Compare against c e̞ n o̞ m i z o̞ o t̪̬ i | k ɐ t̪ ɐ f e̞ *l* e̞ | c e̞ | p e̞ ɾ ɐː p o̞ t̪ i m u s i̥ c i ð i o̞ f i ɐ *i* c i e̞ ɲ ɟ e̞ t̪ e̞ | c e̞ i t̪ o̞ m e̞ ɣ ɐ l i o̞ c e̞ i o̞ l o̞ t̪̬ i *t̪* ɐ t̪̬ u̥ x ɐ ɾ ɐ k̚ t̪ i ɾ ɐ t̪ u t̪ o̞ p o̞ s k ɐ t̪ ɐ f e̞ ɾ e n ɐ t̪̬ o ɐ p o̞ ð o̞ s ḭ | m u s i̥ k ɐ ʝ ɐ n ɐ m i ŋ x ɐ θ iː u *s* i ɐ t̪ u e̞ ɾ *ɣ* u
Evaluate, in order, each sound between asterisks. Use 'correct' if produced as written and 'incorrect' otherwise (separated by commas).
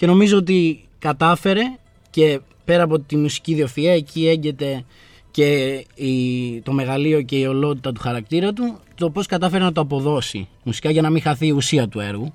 incorrect, incorrect, correct, correct, correct